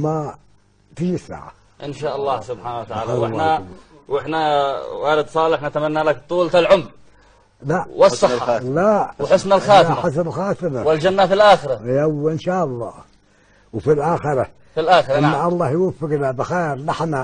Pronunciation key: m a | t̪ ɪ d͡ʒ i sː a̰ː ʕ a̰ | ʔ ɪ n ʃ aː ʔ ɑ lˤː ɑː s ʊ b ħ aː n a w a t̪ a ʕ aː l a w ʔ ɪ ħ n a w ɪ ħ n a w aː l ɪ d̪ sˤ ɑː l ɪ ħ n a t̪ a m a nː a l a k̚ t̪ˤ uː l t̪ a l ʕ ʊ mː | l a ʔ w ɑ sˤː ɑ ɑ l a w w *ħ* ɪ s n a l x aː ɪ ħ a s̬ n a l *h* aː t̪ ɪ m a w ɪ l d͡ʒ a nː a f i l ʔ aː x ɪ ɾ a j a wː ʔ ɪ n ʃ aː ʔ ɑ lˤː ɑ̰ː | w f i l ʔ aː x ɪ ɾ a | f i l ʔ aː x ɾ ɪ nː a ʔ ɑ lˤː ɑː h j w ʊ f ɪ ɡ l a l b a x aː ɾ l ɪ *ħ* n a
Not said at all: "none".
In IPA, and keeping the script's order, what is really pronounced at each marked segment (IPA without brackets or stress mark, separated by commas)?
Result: ħ, x, ħ